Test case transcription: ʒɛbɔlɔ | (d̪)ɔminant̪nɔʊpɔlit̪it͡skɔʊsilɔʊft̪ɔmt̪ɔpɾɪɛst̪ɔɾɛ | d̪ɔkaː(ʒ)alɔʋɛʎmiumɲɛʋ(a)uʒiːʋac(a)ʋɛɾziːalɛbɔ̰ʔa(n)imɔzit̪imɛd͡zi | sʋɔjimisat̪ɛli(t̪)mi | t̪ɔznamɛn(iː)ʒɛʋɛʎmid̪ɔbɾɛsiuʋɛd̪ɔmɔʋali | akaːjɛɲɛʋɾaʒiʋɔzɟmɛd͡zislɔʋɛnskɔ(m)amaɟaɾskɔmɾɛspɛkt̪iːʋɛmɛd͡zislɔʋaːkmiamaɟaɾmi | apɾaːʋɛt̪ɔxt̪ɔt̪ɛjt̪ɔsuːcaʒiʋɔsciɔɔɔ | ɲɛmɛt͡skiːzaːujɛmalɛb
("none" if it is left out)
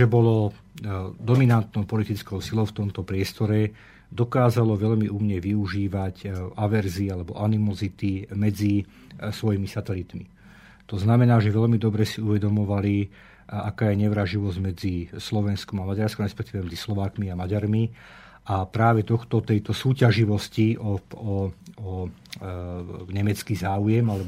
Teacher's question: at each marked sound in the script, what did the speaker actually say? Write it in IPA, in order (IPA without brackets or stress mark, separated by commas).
d̪, z, i, a, n, t̪, aː, m